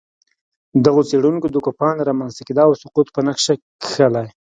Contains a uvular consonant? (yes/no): yes